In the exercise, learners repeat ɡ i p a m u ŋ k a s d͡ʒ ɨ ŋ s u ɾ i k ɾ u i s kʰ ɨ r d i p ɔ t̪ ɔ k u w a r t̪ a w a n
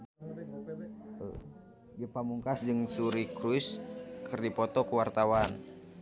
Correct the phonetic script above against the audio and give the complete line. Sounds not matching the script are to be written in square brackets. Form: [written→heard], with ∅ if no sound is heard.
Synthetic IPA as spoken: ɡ i p a m u ŋ k a s d͡ʒ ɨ ŋ s u ɾ i k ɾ u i s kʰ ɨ r d i p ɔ t̪ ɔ k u w a r t̪ a w a n